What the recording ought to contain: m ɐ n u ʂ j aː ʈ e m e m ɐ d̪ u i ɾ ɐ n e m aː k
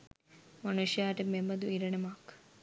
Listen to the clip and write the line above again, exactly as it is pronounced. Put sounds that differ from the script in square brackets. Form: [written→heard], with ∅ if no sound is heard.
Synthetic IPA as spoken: m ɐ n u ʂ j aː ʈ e m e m ɐ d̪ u i ɾ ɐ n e m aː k